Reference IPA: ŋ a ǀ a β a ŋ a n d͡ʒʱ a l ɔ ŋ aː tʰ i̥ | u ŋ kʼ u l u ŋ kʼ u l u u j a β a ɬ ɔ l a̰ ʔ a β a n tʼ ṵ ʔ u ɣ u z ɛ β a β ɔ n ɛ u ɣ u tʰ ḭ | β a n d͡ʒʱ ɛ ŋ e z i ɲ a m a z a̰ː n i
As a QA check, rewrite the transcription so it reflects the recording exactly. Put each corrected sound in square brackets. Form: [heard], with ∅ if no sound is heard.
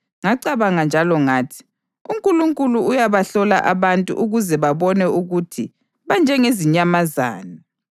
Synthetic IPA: ŋ a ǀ a β a ŋ a n d͡ʒʱ a l ɔ ŋ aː tʰ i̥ | u ŋ kʼ u l u ŋ kʼ u l u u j a β a ɬ ɔ l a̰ ʔ a β a n tʼ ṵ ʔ u ɣ u z ɛ β a β ɔ n ɛ u ɣ u tʰ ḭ | β a n d͡ʒʱ ɛ ŋ e z i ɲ a m a z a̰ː n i